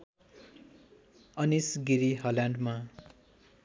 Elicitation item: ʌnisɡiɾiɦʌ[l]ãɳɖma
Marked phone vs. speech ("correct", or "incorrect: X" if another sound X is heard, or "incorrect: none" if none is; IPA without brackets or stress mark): correct